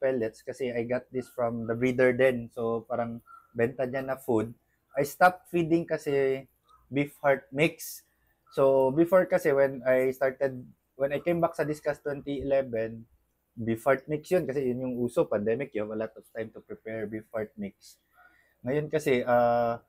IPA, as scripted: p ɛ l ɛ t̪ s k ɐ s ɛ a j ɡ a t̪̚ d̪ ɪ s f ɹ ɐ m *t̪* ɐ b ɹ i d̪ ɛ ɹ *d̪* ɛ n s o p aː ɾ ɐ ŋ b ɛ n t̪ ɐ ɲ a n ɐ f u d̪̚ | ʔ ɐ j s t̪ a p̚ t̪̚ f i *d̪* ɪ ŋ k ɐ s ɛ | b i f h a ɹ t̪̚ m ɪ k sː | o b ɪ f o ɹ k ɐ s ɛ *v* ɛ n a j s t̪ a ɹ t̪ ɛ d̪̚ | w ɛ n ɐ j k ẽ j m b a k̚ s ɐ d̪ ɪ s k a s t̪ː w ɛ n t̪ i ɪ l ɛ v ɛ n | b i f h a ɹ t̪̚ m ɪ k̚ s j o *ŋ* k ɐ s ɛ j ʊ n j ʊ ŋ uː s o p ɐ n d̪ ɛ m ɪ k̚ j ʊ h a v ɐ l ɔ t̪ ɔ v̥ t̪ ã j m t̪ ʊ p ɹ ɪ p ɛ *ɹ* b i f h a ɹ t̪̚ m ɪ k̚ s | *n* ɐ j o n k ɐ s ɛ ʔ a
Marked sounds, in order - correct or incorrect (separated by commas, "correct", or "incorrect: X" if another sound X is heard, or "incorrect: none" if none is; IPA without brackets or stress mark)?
incorrect: d̪, correct, correct, incorrect: w, incorrect: n, correct, incorrect: ŋ